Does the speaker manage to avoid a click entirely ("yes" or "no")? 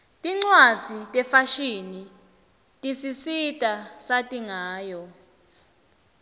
no